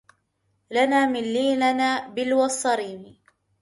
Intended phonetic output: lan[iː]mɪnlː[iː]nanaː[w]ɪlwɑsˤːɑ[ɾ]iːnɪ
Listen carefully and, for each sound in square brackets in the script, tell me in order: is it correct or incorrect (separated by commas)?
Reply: incorrect, correct, incorrect, correct